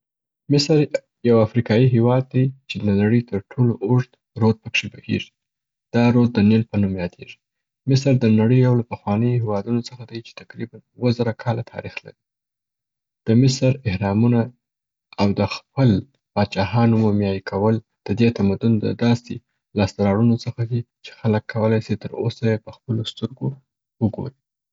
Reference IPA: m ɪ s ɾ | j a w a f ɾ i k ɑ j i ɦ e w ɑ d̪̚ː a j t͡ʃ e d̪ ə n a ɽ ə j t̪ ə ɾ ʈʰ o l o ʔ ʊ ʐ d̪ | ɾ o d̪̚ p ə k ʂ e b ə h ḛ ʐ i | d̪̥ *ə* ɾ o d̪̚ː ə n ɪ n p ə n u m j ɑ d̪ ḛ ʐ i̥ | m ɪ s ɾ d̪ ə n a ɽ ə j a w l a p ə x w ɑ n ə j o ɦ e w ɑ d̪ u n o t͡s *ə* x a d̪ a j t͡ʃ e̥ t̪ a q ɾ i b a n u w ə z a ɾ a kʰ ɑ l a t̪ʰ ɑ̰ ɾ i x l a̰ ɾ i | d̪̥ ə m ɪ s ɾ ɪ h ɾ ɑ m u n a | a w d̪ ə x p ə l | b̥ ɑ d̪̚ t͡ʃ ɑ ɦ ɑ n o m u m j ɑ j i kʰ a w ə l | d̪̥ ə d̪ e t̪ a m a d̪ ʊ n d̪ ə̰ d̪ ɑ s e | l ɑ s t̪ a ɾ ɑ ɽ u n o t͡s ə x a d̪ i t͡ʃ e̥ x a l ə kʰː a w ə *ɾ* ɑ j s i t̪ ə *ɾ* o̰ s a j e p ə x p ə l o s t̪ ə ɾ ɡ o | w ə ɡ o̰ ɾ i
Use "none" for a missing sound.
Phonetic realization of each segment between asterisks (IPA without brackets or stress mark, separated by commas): ɑ, ə, l, ɾ